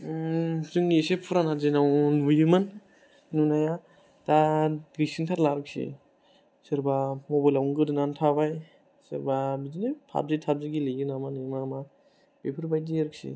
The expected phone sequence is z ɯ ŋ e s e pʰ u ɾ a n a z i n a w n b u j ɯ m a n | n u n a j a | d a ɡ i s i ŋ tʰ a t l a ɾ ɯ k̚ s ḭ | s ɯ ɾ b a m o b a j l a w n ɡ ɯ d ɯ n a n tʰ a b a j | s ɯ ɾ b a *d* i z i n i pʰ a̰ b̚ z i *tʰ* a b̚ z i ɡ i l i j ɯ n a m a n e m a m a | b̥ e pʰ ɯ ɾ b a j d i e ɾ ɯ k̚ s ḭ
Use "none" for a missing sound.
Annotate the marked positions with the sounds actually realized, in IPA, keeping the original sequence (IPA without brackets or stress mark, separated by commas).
b, tʰ